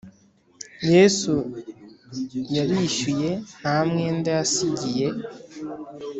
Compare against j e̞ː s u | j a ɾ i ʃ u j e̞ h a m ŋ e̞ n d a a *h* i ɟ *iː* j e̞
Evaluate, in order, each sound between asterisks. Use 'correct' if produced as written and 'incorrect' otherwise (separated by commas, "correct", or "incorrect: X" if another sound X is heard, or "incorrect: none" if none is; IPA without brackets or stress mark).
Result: incorrect: s, incorrect: i